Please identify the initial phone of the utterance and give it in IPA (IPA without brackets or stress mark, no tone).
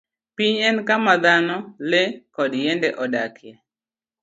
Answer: p